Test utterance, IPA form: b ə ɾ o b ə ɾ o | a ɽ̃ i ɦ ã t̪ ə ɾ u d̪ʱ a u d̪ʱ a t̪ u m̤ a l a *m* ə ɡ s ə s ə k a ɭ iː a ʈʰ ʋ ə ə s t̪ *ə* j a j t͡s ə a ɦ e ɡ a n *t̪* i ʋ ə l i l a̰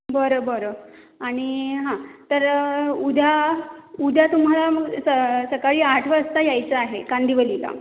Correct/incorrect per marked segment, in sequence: correct, incorrect, incorrect

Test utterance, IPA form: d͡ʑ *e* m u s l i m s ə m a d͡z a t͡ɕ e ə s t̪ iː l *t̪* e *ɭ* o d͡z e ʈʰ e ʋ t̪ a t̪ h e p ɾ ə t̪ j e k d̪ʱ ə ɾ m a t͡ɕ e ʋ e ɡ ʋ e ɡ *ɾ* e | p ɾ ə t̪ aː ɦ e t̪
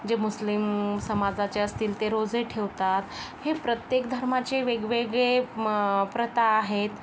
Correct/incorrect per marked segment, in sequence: correct, correct, incorrect, incorrect

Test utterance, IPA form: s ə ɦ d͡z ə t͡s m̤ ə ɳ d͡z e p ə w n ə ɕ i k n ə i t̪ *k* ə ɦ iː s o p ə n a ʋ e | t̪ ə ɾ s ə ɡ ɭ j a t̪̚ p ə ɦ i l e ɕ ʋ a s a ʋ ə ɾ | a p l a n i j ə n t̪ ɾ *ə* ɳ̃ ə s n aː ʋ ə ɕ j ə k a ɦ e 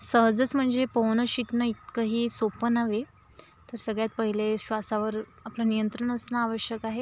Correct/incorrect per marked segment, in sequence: correct, correct

